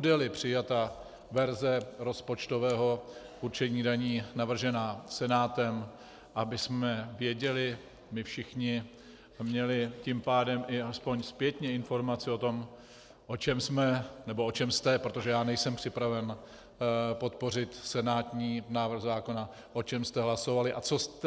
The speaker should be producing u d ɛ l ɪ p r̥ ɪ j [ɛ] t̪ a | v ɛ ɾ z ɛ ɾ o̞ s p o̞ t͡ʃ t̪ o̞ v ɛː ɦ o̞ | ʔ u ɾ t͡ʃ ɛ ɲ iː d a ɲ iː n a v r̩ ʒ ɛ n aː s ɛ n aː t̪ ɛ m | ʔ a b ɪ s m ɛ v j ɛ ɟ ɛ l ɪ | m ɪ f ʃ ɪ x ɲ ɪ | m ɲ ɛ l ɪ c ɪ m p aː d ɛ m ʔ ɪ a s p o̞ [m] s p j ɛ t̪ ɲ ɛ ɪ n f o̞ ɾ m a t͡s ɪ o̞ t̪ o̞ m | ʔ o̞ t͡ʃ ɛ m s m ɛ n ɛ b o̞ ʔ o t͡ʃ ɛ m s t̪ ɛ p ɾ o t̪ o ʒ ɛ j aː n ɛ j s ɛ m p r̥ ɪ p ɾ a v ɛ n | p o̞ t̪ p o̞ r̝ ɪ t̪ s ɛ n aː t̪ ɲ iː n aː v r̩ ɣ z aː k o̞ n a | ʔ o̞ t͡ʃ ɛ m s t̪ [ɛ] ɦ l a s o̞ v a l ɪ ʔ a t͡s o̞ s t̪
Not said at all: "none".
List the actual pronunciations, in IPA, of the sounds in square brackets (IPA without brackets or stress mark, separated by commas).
a, ɲ, ɛ